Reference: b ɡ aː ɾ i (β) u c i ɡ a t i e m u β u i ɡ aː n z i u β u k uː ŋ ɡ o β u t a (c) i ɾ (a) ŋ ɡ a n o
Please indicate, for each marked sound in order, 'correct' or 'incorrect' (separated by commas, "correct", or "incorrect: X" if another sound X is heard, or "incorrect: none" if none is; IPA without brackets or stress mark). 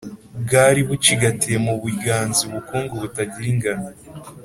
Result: correct, incorrect: ɟ, incorrect: i